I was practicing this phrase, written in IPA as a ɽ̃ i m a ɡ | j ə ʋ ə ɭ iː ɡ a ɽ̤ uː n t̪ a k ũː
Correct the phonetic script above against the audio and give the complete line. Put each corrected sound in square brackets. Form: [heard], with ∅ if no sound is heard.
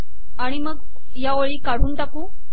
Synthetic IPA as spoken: a ɽ̃ i m [ə] ɡ | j [a] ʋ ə ɭ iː [k] a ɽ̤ uː n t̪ a k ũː

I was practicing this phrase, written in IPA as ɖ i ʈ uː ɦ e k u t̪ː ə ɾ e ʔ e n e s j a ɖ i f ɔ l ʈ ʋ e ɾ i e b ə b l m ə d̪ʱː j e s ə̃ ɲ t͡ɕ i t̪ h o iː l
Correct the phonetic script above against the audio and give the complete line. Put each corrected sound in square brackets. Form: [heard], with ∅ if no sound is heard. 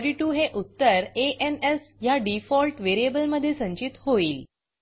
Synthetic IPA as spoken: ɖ i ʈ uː ɦ e [ʔ] u t̪ː ə ɾ e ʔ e n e s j a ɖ i f ɔ l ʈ ʋ e ɾ i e b ə [∅] l m ə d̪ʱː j e s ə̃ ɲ t͡ɕ i t̪ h o iː l

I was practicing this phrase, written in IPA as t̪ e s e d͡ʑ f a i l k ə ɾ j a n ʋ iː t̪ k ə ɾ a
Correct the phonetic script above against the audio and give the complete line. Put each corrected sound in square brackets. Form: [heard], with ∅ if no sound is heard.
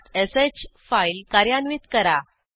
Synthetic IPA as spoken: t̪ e s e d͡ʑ f a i l k [a] ɾ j a n ʋ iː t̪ k ə ɾ a

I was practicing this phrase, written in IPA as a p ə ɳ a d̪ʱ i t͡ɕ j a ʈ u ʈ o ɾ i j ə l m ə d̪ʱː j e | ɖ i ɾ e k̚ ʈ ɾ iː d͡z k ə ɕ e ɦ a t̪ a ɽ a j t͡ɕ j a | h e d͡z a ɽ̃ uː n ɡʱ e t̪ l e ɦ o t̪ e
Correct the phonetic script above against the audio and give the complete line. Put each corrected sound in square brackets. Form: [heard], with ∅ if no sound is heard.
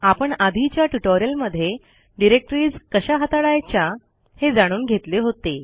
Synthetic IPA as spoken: a p ə ɳ a d̪ʱ i t͡ɕ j a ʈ u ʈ o ɾ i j ə l m ə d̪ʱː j e | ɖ i ɾ e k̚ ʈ ɾ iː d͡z k ə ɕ [a] ɦ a t̪ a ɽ a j t͡ɕ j a | h e d͡z a ɽ̃ uː n ɡʱ e t̪ l e ɦ o t̪ e

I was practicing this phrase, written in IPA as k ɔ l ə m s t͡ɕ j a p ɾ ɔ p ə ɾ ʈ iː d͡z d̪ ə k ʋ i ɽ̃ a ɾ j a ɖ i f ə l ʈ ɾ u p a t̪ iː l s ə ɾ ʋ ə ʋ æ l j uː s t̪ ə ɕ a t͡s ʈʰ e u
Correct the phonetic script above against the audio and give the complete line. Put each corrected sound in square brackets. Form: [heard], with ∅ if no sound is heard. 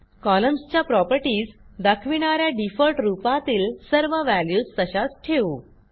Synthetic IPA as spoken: k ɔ l ə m s t͡ɕ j a p ɾ ɔ p ə ɾ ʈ iː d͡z d̪ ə [kʰ] ʋ i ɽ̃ a ɾ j a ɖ i f ə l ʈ ɾ u p a t̪ iː l s ə ɾ ʋ ə ʋ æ l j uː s t̪ ə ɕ a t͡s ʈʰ e u

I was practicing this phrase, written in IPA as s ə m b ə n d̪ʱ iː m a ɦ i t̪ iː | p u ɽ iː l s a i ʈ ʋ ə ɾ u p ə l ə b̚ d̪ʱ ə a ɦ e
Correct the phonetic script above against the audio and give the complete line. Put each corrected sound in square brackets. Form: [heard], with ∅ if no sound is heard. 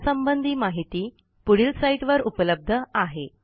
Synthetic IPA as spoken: s ə m b ə n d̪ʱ iː m a ɦ i t̪ iː | p u ɽ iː l s a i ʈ ʋ ə ɾ u p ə l ə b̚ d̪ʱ ə a ɦ e

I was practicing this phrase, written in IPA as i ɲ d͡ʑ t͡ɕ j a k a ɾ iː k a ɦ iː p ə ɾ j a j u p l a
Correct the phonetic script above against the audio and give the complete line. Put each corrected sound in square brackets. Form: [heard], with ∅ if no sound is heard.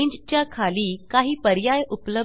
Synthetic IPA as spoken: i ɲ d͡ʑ t͡ɕ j a [kʰ] a [l] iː k a ɦ iː p ə ɾ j a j u p l [ə]

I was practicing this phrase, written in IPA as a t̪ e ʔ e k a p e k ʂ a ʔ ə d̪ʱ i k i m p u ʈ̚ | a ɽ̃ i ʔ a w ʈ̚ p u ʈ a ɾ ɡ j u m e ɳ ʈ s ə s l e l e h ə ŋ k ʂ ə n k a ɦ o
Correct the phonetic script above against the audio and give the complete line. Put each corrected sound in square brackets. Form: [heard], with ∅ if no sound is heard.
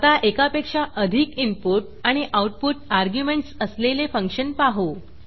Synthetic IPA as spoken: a t̪ [a] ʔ e k a p e k ʂ a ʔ ə d̪ʱ i k i m p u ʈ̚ | a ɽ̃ i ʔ a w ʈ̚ p u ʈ a ɾ ɡ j u m e ɳ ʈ s ə s l e l e [f] ə ŋ k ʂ ə n [p] a ɦ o

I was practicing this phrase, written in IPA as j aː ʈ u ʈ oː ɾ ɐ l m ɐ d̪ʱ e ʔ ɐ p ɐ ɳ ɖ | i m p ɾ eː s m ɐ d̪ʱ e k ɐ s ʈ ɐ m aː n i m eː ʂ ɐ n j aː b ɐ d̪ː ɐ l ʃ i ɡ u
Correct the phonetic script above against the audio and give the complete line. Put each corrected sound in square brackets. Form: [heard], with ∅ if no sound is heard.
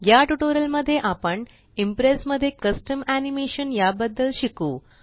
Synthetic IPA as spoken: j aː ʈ u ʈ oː ɾ ɐ l m ɐ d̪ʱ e ʔ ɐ p ɐ ɳ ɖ | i m p ɾ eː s m ɐ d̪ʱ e k ɐ s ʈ ɐ m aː n i m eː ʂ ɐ n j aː b ɐ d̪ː ɐ l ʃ i [k] u

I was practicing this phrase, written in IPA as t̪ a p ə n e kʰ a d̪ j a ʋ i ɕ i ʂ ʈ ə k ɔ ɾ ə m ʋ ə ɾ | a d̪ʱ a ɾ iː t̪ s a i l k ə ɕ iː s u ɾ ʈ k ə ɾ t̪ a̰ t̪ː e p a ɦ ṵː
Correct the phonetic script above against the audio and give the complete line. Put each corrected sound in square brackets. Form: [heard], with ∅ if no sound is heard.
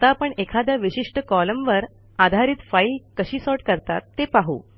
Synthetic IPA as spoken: t̪ a p ə [ɳ] e kʰ a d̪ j a ʋ i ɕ i ʂ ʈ ə k ɔ [l] ə m ʋ ə ɾ | a d̪ʱ a ɾ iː t̪ [f] a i l k ə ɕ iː s [ɔ] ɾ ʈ k ə ɾ t̪ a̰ t̪ː e p a ɦ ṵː

